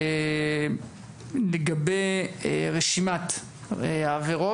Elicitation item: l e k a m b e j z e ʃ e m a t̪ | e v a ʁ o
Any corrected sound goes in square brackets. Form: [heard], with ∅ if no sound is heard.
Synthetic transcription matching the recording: l e [ɡ] a [∅] b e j [ʁ] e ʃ [i] m a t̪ | [a] v [e] ʁ o